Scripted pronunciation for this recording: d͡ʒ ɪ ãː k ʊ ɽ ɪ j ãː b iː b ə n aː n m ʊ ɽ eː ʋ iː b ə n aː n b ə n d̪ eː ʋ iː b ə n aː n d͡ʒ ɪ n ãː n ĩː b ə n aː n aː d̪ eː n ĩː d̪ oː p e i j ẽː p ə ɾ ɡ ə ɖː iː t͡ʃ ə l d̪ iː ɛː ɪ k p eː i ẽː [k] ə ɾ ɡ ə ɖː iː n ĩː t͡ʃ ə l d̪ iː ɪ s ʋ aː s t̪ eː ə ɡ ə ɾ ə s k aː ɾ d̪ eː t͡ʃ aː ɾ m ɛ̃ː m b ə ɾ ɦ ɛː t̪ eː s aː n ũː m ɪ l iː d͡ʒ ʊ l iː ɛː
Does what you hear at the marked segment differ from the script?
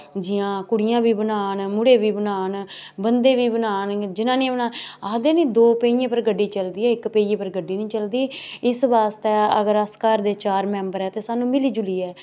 yes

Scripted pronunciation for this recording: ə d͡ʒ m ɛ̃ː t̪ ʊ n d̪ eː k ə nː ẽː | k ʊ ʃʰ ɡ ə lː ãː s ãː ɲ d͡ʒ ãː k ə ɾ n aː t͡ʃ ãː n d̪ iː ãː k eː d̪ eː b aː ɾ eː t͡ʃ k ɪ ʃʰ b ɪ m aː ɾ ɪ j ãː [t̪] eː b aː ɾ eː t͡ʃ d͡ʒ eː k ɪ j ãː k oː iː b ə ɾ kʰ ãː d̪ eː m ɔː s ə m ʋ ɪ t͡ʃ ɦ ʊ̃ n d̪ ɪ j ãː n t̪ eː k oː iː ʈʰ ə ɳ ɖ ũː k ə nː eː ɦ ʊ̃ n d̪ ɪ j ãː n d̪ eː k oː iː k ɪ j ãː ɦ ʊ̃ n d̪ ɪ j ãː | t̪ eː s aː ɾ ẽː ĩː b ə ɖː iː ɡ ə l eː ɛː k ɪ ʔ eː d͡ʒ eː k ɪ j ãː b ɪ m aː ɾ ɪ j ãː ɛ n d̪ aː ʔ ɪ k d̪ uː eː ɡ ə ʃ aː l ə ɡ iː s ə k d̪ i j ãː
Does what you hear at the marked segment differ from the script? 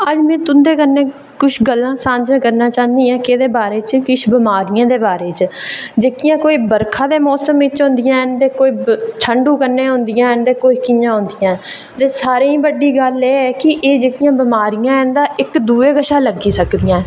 yes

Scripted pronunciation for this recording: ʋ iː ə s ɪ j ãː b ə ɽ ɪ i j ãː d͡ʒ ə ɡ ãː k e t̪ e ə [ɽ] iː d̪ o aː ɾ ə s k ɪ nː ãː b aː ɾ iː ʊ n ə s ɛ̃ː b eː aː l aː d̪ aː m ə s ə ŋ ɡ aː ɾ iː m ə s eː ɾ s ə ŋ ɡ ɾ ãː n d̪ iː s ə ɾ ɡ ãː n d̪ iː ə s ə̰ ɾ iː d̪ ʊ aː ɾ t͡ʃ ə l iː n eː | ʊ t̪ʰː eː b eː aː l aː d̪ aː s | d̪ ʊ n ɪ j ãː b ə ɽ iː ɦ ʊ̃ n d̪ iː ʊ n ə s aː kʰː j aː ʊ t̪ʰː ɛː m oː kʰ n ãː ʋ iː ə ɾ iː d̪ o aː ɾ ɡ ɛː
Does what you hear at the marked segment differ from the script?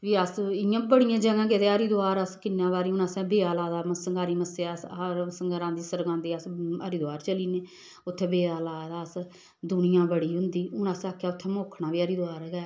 yes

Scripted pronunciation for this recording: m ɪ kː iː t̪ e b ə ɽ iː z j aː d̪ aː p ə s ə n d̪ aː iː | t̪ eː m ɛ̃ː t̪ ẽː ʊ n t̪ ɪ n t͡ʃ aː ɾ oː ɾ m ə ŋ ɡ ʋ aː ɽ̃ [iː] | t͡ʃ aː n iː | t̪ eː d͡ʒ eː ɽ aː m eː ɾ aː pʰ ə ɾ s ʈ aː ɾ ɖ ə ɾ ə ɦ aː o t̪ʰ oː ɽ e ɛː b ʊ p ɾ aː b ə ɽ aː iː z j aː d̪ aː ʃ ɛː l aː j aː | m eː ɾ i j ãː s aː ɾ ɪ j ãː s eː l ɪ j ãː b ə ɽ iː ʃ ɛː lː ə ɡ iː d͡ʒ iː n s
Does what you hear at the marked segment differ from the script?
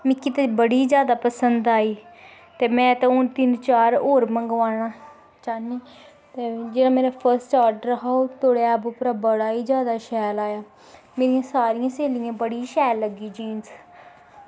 yes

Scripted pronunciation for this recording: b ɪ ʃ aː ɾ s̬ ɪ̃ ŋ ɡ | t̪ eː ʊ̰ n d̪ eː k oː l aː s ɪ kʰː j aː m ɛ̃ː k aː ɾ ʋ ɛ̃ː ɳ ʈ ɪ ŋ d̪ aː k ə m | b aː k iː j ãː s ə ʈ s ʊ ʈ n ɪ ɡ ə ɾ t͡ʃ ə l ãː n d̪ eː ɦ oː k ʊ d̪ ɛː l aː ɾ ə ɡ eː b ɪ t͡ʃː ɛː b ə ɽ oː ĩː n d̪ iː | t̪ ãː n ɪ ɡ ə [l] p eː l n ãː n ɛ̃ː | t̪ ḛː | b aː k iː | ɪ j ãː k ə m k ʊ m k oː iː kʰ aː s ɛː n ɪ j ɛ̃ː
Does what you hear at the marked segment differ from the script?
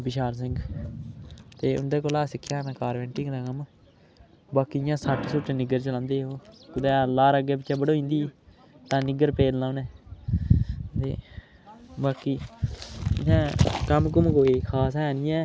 yes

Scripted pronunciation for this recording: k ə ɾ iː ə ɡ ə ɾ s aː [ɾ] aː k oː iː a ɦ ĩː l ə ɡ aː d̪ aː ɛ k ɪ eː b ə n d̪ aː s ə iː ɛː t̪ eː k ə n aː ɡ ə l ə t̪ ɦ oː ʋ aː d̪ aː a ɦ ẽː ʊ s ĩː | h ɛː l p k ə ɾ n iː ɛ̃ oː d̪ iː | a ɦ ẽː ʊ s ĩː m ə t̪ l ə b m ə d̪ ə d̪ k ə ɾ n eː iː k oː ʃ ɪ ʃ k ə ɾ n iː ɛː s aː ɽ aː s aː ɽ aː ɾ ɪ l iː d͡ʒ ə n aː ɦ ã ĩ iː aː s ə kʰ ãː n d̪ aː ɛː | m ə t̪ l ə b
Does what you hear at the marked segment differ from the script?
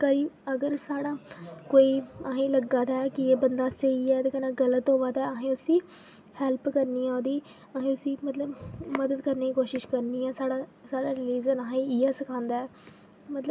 yes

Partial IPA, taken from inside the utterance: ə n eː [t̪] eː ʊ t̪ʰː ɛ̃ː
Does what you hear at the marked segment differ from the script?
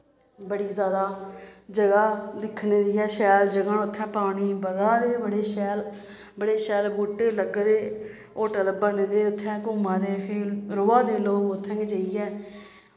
yes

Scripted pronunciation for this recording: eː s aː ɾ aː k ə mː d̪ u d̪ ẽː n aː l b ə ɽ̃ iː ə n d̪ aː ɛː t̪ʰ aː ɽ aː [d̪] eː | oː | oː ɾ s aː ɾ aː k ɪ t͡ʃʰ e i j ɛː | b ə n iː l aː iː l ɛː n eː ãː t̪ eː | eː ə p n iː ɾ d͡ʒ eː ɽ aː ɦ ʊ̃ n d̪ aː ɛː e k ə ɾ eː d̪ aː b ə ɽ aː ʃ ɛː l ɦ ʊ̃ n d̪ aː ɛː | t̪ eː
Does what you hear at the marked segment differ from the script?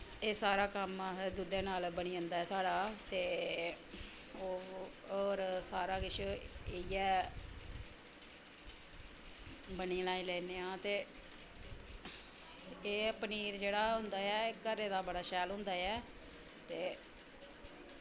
yes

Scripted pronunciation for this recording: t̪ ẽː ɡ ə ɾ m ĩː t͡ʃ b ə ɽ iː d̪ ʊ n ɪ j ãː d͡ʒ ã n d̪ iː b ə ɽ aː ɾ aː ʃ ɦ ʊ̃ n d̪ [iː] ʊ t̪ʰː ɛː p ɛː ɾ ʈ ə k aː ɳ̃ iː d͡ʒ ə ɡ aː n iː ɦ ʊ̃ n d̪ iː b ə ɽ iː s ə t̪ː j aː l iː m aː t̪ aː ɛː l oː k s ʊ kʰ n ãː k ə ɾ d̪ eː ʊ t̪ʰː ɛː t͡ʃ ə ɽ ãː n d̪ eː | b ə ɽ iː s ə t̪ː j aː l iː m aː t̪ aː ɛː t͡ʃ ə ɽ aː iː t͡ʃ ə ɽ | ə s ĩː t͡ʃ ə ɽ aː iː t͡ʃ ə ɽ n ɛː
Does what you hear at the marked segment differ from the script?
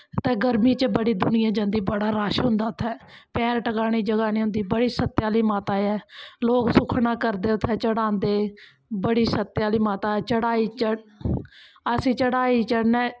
yes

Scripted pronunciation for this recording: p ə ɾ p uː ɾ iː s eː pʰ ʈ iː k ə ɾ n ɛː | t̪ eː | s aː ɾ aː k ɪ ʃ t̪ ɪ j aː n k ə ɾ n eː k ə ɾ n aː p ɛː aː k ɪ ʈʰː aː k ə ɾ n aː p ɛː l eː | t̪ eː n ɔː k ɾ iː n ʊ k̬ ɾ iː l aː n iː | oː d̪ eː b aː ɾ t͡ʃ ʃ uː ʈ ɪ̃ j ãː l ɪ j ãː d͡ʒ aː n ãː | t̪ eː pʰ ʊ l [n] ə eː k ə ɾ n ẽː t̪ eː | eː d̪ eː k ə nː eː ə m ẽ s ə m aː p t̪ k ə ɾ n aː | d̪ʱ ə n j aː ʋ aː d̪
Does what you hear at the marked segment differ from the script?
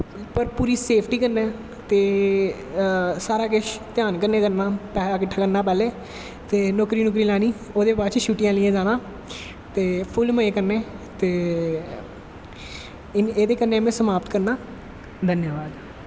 yes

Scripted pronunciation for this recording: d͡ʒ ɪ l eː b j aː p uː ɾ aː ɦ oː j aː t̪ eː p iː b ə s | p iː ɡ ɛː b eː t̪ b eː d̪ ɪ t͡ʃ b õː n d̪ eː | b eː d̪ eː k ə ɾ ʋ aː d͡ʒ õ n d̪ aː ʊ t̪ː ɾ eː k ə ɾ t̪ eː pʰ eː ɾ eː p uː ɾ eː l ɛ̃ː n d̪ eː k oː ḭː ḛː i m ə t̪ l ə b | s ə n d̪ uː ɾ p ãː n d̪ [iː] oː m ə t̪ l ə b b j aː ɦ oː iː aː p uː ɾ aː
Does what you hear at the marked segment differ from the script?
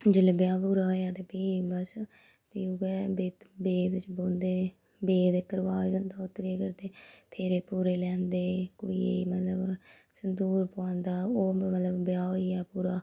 yes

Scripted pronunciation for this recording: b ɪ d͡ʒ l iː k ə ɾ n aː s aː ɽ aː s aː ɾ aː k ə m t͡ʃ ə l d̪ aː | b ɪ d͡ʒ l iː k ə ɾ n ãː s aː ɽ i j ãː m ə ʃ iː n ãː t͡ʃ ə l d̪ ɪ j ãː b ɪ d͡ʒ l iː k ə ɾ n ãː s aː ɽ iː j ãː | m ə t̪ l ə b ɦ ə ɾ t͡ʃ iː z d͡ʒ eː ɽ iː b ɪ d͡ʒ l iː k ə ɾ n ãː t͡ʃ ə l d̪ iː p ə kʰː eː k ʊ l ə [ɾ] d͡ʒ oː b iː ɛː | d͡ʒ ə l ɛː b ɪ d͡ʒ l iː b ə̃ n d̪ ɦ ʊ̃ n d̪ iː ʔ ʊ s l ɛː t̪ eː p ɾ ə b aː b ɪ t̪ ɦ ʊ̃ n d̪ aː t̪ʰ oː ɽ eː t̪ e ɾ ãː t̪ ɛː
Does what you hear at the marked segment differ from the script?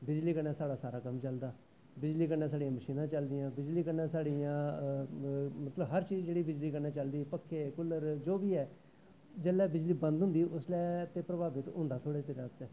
no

